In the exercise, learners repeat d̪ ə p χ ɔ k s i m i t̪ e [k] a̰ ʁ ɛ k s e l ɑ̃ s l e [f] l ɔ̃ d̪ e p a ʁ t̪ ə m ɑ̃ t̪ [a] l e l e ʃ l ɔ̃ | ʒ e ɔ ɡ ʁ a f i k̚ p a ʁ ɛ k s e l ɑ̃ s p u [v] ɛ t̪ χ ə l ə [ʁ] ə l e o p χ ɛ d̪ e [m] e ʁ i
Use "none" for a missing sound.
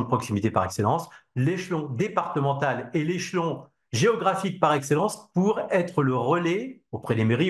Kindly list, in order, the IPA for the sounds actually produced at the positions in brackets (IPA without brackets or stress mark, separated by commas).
p, ʃ, a, ʁ, ʁ, m